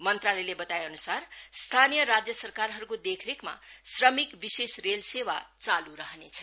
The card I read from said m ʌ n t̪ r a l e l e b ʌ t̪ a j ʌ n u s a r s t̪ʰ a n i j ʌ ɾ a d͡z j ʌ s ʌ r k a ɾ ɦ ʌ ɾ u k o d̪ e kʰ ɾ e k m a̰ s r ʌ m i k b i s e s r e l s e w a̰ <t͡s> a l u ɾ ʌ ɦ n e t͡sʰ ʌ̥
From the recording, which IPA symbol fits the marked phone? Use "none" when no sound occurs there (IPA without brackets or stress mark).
t͡s